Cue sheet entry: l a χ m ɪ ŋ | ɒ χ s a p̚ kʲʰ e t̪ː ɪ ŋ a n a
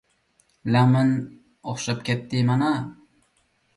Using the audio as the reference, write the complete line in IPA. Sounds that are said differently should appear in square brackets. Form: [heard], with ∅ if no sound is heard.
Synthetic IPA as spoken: l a [∅] m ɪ [n] | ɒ χ [ʃ] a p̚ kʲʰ e t̪ː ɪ [m] a n a